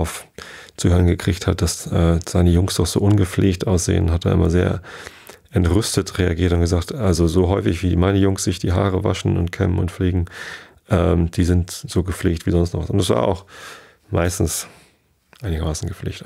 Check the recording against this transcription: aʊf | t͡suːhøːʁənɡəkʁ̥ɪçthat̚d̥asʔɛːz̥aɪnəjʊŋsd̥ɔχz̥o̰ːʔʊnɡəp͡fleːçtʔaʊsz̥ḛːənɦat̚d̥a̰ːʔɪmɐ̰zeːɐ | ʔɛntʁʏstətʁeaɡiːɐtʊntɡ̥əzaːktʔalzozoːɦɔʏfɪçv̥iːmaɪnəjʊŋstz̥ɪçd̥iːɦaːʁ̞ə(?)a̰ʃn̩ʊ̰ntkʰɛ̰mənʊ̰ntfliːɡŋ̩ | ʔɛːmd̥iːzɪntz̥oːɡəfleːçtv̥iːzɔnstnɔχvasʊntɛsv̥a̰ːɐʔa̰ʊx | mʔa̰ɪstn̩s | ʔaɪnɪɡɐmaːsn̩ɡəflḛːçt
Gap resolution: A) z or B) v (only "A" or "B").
B